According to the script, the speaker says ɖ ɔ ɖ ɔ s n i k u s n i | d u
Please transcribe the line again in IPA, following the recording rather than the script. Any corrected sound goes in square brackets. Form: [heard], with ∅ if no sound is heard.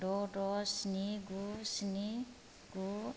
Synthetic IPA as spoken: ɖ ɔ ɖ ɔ s n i [ɡ] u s n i | [ɡ] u